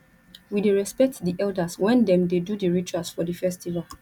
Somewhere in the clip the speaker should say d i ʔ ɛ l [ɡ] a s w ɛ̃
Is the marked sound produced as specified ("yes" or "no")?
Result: no